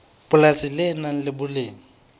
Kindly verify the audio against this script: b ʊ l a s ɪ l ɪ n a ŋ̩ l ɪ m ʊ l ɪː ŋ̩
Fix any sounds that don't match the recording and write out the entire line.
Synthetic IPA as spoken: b ʊ l a s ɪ l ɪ n a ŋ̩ l ɪ b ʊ l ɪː ŋ̩